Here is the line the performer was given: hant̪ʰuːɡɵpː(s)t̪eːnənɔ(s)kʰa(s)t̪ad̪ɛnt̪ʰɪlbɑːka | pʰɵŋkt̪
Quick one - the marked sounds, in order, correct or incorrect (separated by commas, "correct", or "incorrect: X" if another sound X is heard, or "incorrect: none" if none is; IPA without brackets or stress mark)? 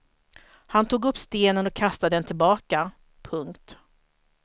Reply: correct, incorrect: none, correct